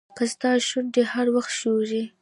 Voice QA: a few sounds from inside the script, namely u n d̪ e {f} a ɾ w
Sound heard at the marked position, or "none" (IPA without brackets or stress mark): h